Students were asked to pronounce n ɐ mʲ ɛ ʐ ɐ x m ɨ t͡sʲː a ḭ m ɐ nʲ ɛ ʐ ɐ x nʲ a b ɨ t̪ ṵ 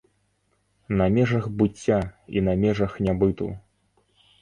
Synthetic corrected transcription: n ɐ mʲ ɛ ʐ ɐ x b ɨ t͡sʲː a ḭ n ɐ mʲ ɛ ʐ ɐ x nʲ a b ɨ t̪ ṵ